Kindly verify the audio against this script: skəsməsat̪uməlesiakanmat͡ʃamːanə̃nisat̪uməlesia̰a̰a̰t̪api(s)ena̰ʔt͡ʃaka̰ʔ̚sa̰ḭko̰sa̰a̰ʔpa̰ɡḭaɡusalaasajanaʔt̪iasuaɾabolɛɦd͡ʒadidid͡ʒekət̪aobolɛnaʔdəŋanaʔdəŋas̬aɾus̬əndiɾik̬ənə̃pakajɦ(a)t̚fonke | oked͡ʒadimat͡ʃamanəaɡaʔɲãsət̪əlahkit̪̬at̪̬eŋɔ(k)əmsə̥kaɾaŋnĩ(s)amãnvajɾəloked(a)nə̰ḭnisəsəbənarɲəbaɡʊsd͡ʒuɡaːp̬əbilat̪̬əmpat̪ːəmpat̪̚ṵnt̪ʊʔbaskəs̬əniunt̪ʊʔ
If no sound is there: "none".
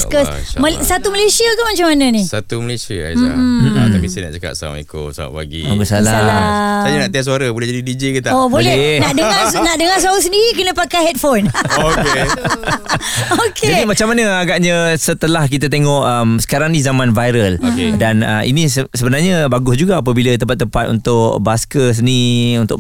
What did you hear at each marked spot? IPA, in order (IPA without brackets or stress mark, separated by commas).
s, ɛ, ʔ, z, a